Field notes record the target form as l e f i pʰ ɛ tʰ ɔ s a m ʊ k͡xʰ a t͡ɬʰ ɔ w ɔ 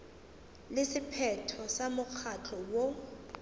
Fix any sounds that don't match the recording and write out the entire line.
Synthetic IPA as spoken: l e s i pʰ ɛ tʰ ɔ s a m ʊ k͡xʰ a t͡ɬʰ ɔ w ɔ